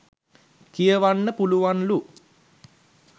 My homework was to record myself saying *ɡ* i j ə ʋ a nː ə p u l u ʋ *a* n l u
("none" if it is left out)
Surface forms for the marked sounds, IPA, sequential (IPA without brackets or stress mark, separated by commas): k, a